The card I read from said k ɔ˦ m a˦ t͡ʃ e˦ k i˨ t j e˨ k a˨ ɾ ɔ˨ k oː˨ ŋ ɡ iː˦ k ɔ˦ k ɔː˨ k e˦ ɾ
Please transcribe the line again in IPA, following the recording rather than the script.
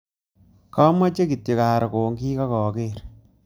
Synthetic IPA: k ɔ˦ m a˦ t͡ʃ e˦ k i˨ t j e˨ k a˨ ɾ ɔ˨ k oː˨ ŋ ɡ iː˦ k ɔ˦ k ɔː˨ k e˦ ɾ